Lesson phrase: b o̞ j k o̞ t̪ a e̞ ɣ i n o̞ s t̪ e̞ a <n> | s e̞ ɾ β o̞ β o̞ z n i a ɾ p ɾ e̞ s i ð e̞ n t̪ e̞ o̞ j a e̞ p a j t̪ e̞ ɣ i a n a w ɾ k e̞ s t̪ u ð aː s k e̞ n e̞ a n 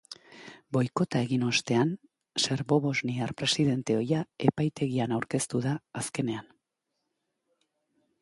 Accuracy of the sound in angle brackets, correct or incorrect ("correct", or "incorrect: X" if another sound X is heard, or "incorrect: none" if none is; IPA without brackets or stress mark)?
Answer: correct